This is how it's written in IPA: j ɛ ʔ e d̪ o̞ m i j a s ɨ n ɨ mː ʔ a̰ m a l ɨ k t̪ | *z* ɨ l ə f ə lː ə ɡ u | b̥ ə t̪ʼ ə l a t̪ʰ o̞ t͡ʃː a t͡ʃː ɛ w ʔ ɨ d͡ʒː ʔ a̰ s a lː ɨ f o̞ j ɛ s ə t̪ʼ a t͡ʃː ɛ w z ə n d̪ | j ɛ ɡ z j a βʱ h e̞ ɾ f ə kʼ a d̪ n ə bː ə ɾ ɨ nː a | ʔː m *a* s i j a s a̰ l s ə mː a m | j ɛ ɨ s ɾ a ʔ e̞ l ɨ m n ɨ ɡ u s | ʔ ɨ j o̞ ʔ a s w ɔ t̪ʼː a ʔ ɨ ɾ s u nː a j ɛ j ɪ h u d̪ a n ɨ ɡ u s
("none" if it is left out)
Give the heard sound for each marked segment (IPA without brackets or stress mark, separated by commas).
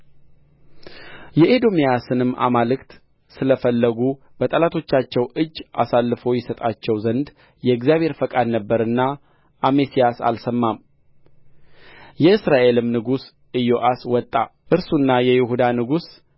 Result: s, e